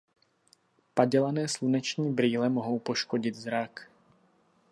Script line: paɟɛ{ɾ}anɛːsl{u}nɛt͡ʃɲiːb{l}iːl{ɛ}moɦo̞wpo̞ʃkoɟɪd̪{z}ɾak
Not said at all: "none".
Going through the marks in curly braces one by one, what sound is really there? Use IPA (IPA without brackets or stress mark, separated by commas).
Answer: l, u, ɾ, ɛ, z